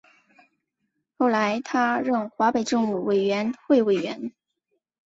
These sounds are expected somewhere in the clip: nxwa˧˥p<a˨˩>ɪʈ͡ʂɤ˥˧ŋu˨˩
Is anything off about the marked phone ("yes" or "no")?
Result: yes